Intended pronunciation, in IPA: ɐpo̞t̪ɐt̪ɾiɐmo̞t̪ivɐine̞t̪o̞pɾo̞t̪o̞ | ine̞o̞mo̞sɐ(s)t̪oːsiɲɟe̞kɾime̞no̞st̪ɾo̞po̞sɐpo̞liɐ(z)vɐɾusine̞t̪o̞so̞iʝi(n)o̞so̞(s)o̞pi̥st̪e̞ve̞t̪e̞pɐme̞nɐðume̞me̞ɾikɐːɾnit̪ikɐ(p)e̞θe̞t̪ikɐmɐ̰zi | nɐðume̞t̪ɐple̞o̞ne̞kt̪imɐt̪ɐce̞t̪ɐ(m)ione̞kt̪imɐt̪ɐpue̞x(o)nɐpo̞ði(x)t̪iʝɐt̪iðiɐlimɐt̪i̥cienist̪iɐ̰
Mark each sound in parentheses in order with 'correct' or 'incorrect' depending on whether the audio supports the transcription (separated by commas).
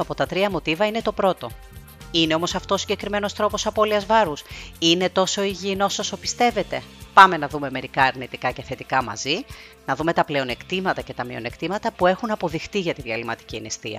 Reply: incorrect, correct, correct, correct, incorrect, correct, incorrect, correct